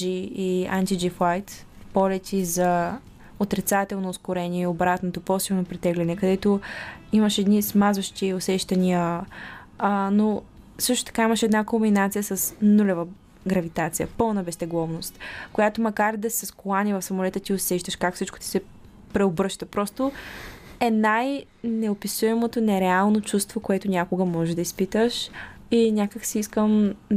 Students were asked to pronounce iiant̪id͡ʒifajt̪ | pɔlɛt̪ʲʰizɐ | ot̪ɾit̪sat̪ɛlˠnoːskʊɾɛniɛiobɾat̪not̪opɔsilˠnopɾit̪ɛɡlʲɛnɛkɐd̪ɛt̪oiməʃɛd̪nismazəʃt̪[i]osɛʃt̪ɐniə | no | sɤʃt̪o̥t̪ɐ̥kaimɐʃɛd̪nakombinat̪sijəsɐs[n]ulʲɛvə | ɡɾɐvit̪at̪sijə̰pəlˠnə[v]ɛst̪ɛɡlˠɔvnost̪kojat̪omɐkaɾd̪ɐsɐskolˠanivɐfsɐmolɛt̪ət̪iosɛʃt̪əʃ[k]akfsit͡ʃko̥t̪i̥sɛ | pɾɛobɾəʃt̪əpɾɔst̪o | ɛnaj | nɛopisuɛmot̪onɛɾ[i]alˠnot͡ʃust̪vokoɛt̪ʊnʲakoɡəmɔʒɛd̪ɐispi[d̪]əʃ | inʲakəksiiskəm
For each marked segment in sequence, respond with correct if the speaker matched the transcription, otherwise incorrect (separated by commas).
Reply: correct, correct, incorrect, correct, incorrect, incorrect